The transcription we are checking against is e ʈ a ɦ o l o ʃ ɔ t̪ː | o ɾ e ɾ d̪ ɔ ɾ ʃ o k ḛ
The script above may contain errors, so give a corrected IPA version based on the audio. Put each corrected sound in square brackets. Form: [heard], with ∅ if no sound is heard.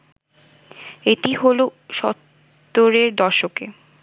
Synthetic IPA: e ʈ [i] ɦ o l o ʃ ɔ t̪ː | o ɾ e ɾ d̪ ɔ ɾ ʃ o k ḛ